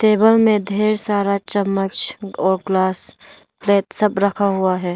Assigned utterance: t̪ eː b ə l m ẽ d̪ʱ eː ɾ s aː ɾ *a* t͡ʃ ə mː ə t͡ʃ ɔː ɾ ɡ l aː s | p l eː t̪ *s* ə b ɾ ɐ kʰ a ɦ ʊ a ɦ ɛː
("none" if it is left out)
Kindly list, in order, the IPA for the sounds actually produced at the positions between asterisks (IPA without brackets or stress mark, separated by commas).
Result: a, s